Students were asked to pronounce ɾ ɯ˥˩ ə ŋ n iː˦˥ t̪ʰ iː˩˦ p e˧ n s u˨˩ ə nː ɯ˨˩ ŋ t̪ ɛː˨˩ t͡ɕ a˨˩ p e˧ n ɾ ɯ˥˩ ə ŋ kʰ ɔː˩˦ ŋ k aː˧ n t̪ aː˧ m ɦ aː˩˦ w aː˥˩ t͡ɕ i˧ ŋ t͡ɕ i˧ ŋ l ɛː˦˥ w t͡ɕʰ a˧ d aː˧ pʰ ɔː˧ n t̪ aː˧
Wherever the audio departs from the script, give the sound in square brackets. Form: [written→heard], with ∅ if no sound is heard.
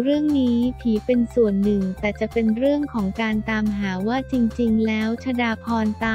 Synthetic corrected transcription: ɾ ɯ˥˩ ə ŋ n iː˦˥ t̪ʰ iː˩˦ p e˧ n s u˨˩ ə nː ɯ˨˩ ŋ t̪ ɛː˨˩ t͡ɕ a˨˩ p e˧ n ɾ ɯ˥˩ ə ŋ kʰ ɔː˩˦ ŋ k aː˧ n t̪ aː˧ m ɦ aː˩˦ w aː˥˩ t͡ɕ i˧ ŋ t͡ɕ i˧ ŋ l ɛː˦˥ w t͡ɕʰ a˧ d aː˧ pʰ ɔː˧ n t̪ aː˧